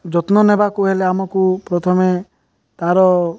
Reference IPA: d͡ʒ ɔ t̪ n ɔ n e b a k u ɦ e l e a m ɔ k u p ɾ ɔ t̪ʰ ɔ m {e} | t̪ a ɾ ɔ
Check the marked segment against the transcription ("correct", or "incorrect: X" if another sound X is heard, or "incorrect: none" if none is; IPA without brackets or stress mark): correct